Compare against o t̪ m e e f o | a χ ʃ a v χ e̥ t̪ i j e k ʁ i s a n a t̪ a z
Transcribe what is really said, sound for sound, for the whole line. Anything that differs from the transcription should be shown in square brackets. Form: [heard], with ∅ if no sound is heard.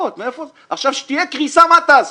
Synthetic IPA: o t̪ m e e f o | a χ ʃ a v [ʃ] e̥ t̪ i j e k ʁ i s a [m] a t̪ a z